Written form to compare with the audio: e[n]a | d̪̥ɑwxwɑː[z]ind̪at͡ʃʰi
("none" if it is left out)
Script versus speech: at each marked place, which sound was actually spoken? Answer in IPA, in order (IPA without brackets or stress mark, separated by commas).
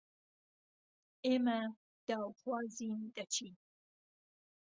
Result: m, z